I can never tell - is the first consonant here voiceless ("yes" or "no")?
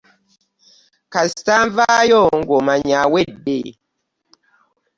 yes